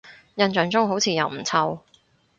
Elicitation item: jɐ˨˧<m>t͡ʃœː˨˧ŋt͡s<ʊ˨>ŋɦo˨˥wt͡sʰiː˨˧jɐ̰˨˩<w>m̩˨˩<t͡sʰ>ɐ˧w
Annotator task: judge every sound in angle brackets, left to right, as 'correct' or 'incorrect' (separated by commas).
incorrect, incorrect, correct, correct